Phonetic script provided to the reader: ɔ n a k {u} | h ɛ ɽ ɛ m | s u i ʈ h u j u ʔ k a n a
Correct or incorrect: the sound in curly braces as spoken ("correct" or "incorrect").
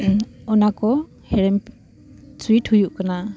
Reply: incorrect